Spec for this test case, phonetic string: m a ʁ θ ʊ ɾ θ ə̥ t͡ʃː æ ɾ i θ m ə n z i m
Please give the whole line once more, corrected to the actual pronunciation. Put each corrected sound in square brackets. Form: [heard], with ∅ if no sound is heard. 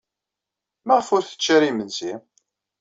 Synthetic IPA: m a ʁ [f] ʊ ɾ θ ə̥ t͡ʃː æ ɾ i [∅] m ə n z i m